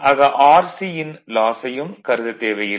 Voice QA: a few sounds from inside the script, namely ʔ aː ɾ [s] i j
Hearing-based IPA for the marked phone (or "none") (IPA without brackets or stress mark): s